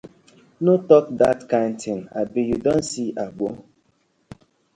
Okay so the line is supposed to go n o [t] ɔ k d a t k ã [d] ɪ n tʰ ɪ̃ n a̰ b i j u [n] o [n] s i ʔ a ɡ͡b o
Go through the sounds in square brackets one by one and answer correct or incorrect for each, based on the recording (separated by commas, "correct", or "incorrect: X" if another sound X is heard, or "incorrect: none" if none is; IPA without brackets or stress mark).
correct, incorrect: none, incorrect: d, correct